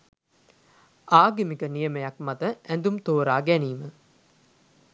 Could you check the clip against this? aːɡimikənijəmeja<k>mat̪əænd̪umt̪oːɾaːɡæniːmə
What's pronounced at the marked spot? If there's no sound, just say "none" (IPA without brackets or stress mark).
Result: k